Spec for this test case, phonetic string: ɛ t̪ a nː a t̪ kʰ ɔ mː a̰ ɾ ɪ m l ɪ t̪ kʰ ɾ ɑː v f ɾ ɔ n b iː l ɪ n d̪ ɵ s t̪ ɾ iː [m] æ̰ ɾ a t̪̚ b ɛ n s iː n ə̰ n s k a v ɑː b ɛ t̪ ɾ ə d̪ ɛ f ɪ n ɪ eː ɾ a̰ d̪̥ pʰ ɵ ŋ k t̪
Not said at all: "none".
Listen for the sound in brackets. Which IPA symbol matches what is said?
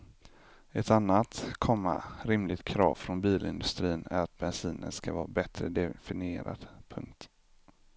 n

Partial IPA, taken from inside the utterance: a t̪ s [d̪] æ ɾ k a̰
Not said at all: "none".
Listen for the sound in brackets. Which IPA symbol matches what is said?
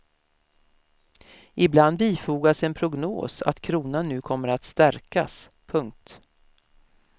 t̪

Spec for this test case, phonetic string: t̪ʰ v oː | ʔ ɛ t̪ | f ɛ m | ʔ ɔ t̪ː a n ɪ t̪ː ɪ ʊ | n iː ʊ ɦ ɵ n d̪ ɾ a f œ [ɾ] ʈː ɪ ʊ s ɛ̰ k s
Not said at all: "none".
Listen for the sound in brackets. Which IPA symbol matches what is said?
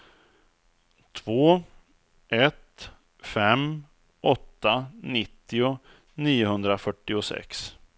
none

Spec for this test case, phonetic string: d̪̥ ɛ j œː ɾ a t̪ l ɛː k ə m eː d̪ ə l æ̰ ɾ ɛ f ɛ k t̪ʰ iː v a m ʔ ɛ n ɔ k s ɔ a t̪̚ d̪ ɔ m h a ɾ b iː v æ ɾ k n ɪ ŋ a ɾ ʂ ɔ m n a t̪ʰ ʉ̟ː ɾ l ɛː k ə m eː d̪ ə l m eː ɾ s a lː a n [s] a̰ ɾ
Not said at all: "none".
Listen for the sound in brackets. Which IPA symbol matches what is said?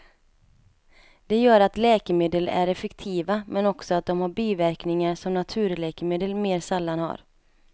h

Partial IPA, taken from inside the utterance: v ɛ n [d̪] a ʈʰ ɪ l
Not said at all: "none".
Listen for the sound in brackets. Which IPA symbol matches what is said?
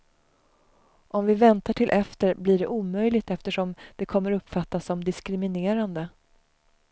t̪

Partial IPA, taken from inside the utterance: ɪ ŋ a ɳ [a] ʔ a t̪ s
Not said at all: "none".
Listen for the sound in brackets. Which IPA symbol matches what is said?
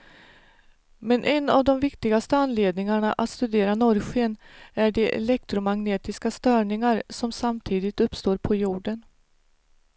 a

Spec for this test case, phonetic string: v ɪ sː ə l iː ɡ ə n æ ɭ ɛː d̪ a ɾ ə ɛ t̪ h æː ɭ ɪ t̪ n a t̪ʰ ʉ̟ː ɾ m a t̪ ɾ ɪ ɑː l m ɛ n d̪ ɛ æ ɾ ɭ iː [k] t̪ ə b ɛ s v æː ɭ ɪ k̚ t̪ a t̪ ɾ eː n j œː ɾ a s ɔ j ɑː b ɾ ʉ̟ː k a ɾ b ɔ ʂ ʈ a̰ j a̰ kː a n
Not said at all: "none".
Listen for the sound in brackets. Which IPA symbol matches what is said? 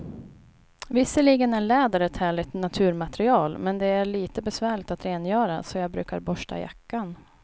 none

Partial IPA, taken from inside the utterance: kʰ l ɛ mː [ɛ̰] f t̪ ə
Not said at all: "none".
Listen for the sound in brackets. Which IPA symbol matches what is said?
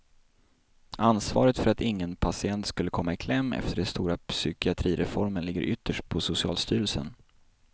ɛ̰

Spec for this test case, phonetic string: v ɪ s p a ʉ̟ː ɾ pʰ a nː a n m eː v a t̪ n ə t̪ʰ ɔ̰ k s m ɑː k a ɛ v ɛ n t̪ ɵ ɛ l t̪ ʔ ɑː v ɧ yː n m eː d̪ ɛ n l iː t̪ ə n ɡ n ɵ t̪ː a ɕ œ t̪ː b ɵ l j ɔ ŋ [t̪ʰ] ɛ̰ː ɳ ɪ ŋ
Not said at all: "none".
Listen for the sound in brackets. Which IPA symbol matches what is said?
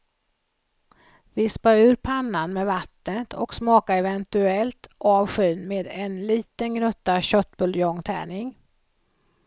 t̪ʰ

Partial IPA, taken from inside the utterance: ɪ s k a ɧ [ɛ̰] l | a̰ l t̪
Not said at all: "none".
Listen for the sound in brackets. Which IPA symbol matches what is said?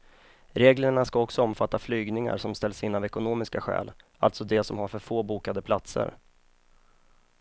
ɛ̰ː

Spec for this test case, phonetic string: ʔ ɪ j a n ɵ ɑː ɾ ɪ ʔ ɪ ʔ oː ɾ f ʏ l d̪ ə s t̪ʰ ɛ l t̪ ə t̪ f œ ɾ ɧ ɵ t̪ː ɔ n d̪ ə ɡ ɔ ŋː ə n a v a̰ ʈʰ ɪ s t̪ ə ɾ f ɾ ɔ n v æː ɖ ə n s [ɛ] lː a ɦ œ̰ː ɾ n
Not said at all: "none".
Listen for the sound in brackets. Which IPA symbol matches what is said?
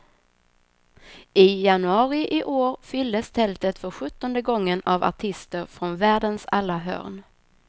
a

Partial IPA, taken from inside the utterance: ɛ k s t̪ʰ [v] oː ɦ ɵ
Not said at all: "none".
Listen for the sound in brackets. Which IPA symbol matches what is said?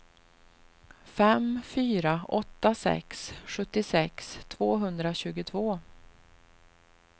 v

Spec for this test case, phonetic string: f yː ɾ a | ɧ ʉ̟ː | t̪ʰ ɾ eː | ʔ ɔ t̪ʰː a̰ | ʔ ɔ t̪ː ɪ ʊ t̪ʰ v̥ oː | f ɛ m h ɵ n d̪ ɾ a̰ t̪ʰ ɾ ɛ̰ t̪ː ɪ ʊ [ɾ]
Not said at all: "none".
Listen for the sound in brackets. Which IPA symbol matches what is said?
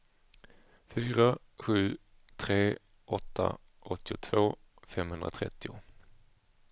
none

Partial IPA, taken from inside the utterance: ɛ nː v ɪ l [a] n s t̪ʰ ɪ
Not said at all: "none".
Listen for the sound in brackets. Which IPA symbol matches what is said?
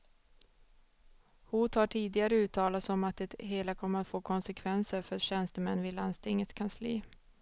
a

